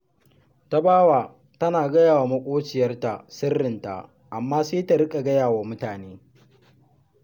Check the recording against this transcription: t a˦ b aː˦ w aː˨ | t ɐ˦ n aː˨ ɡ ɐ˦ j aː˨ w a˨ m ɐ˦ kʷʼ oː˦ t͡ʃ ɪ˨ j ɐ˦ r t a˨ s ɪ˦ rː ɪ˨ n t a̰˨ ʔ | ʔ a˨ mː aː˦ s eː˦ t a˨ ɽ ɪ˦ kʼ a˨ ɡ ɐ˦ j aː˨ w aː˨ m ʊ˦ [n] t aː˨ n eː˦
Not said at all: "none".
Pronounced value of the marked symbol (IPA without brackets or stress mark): none